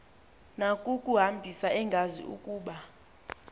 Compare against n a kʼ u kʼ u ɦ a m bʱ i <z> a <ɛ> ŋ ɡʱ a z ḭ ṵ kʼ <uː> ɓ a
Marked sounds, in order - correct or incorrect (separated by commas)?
incorrect, correct, correct